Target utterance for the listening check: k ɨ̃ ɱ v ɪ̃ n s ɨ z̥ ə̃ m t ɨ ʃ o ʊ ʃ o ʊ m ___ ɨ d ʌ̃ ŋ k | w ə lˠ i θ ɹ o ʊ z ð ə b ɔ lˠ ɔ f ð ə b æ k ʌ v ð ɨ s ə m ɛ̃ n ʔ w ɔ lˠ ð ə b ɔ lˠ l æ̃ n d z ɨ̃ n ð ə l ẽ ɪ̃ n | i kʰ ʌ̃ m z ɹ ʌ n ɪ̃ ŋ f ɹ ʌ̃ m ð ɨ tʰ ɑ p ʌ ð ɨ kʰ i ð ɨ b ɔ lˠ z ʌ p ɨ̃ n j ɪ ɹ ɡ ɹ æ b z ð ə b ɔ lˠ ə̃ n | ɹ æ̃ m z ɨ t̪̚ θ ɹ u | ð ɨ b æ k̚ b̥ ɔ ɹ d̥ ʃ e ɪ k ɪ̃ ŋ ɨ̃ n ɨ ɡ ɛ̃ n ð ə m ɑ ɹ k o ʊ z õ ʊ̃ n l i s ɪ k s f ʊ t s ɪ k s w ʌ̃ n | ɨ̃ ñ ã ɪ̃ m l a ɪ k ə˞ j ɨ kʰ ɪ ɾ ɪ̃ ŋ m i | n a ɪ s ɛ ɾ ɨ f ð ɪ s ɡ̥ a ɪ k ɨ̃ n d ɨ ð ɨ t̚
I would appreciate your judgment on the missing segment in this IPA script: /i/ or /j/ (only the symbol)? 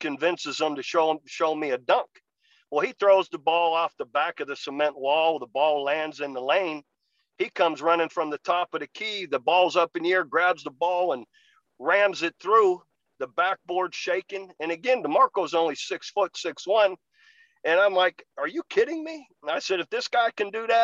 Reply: i